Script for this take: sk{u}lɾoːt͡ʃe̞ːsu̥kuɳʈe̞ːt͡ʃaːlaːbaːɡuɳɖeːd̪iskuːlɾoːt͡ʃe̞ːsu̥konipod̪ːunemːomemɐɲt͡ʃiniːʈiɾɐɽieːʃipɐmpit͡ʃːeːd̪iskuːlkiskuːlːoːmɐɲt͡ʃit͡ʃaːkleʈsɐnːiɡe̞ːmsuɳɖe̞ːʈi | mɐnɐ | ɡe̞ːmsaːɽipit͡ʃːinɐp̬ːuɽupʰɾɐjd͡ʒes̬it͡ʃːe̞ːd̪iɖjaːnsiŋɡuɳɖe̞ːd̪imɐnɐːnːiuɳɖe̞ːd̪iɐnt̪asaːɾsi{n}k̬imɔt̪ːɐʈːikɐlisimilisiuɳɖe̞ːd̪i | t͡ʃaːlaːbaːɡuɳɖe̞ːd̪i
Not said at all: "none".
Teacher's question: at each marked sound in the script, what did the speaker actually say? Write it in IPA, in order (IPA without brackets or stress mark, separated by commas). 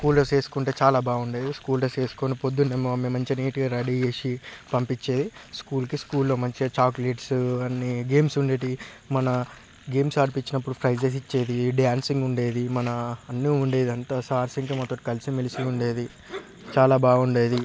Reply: uː, ŋ